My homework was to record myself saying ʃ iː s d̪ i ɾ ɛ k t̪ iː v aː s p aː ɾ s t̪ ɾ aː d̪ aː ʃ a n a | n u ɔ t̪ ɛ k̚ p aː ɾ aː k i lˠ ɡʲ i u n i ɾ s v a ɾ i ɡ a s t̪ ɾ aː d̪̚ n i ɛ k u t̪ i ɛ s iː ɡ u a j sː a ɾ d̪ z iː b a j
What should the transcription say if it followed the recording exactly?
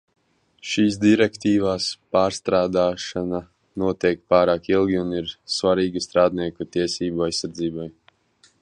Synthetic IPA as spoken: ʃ iː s d̪ i ɾ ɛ k t̪ iː v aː s p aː ɾ s t̪ ɾ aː d̪ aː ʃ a n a | n u ɔ t̪ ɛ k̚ p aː ɾ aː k i lˠ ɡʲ i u n i ɾ s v a ɾ iː ɡ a s t̪ ɾ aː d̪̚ n i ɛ k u t̪ i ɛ s iː b u a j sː a ɾ d̪ z iː b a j